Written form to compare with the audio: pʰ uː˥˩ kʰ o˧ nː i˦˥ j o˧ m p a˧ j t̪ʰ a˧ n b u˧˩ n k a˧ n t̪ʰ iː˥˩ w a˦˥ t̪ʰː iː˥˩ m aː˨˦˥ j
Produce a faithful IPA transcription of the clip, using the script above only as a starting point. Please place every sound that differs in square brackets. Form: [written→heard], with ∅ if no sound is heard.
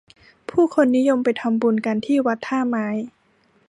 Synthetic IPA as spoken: pʰ uː˥˩ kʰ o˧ nː i˦˥ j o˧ m p a˧ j t̪ʰ a˧ [n→m] b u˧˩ n k a˧ n t̪ʰ iː˥˩ w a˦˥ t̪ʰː [iː˥˩→aː˥˩] m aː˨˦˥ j